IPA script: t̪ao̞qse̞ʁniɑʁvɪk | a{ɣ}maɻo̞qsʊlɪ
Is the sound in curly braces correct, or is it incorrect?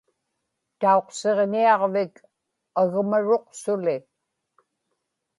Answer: correct